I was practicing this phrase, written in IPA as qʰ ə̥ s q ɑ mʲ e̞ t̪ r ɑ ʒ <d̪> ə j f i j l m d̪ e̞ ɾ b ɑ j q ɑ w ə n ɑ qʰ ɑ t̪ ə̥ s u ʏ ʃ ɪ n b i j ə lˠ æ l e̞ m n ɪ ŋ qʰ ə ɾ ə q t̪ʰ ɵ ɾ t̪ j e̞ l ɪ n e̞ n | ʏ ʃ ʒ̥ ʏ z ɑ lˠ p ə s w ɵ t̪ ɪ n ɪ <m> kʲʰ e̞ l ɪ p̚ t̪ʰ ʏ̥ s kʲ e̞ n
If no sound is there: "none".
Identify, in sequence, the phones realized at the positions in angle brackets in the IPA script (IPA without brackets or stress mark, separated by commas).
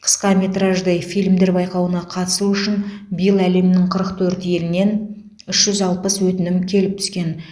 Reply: d̪, m